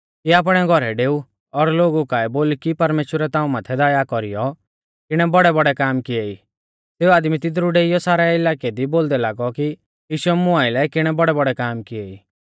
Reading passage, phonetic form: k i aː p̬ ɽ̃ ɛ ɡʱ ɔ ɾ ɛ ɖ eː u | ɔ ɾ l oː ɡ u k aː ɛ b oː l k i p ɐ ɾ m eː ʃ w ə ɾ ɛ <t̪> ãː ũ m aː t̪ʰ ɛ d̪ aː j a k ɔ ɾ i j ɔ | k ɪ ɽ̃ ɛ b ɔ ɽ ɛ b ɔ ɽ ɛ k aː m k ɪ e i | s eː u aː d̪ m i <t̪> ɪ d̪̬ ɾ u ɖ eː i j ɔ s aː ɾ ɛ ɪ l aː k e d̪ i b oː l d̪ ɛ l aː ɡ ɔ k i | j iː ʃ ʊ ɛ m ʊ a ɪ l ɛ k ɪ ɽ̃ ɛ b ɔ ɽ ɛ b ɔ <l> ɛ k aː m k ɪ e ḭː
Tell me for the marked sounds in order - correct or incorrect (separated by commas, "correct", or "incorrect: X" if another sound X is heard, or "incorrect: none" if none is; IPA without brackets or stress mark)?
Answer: correct, correct, incorrect: ɽ